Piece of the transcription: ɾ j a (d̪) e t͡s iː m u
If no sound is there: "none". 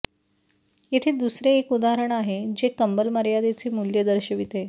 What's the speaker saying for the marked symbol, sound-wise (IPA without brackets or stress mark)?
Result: d̪